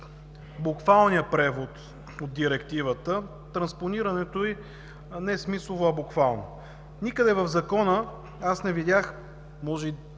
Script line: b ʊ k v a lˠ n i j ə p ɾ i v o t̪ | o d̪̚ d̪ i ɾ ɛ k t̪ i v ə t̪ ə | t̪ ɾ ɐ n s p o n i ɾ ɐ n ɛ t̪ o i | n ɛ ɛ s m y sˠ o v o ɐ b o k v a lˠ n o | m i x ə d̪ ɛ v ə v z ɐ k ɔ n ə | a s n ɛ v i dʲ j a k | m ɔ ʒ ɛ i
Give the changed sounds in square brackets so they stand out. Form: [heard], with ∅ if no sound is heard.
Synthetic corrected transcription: b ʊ k v a lˠ n i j ə p ɾ [ɛ] v o t̪ | o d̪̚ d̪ i ɾ ɛ k t̪ i v ə t̪ ə | t̪ ɾ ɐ n s p o n i ɾ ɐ n ɛ t̪ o i | n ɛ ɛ s m [i] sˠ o v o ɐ b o k v a lˠ n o | [n] i [k] ə d̪ ɛ v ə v z ɐ k ɔ n ə | a s n ɛ v i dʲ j a [x] | m ɔ ʒ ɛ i

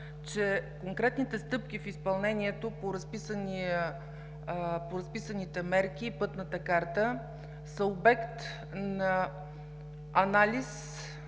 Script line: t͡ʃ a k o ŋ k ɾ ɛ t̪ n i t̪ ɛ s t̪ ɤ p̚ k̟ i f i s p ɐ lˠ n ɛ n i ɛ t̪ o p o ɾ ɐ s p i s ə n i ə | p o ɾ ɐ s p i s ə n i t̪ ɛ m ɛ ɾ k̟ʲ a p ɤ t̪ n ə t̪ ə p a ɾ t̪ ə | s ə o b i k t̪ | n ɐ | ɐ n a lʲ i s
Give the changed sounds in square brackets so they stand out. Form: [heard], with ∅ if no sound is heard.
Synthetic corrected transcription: t͡ʃ [ɛ] k o ŋ k ɾ ɛ t̪ n i t̪ ɛ s t̪ ɤ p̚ k̟ i f i s p ɐ lˠ n ɛ n i ɛ t̪ o p o ɾ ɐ s p i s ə n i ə | p o ɾ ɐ s p i s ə n i t̪ ɛ m ɛ ɾ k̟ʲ [i] p ɤ t̪ n ə t̪ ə [k] a ɾ t̪ ə | s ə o b [ɛ] k t̪ | n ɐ | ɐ n a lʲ i s

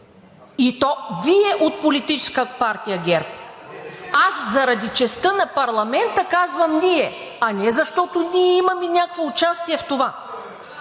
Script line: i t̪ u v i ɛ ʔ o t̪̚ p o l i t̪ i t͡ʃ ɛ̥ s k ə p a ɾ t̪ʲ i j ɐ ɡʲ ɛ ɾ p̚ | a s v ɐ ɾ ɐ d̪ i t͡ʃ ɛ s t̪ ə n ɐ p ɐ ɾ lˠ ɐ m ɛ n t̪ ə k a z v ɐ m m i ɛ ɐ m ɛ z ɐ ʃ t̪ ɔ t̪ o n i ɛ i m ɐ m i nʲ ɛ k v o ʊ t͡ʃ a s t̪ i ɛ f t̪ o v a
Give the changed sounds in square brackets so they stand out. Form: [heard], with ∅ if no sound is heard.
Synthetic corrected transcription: i t̪ [ɔ] v i ɛ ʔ o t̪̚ p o l i t̪ i t͡ʃ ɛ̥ s k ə p a ɾ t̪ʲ i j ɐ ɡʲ ɛ ɾ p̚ | a s [z] ɐ ɾ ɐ d̪ i t͡ʃ ɛ s t̪ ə n ɐ p ɐ ɾ lˠ ɐ m ɛ n t̪ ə k a z v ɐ m [n] i ɛ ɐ [n] ɛ z ɐ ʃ t̪ ɔ t̪ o n i ɛ i m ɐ m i nʲ [a] k v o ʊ t͡ʃ a s t̪ i ɛ f t̪ o v a

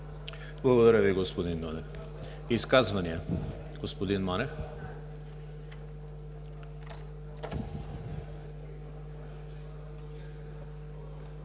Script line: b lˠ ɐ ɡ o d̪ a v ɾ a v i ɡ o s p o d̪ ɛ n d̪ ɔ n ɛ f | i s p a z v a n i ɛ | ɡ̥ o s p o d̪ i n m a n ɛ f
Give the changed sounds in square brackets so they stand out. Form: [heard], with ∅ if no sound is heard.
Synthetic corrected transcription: b lˠ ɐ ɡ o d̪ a [∅] ɾ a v i ɡ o s p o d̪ [i] n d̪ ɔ n ɛ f | i s [k] a z v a n i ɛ | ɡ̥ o s p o d̪ i n m a n ɛ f

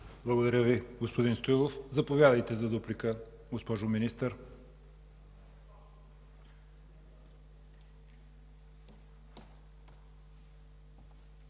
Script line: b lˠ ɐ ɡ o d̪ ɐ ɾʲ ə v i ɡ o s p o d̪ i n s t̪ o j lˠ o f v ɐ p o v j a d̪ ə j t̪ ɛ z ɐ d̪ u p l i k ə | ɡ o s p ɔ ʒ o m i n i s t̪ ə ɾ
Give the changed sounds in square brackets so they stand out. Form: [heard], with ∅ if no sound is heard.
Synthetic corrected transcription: b lˠ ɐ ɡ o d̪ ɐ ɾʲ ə v i ɡ o s p o d̪ i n s t̪ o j lˠ o f [z] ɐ p o v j a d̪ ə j t̪ ɛ z ɐ d̪ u p l i k ə | ɡ o s p ɔ ʒ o m i n i s t̪ ə ɾ

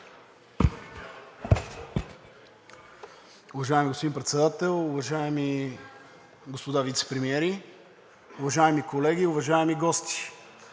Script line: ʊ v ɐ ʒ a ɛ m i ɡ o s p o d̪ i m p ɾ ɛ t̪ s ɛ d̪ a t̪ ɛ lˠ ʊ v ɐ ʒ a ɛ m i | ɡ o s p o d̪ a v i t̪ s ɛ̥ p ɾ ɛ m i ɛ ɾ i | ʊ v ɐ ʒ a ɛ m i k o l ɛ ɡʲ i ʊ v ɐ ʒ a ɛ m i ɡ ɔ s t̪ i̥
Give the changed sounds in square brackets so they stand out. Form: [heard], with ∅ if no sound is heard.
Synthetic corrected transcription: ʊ v ɐ ʒ a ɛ m i ɡ o s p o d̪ i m p ɾ ɛ t̪ s ɛ d̪ a t̪ ɛ lˠ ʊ v ɐ ʒ a ɛ m i | ɡ o s p o d̪ a v i t̪ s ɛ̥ p ɾ ɛ m i ɛ ɾ i | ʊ v ɐ ʒ a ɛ m i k o l ɛ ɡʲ i ʊ v ɐ ʒ a ɛ m i ɡ ɔ s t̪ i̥

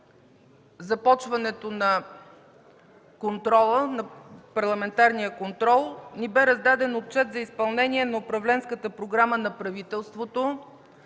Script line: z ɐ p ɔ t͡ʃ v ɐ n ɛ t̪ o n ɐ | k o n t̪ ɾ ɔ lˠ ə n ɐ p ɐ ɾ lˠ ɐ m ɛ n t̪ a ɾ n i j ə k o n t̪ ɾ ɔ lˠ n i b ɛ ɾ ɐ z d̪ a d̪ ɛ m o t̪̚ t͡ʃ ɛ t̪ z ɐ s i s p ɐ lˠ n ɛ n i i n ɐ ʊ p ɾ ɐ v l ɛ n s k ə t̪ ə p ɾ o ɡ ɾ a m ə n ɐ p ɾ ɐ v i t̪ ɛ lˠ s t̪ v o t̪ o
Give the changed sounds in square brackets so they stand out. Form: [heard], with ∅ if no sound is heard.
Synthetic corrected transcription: z ɐ p ɔ t͡ʃ v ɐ n ɛ t̪ o n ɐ | k o n t̪ ɾ ɔ lˠ ə n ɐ p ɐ ɾ lˠ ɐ m ɛ n t̪ a ɾ n i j ə k o n t̪ ɾ ɔ lˠ n i b ɛ ɾ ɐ z d̪ a d̪ ɛ [n] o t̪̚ t͡ʃ ɛ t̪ z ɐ [∅] i s p ɐ lˠ n ɛ n i [ɛ] n ɐ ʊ p ɾ ɐ v l ɛ n s k ə t̪ ə p ɾ o ɡ ɾ a m ə n ɐ p ɾ ɐ v i t̪ ɛ lˠ s t̪ v o t̪ o

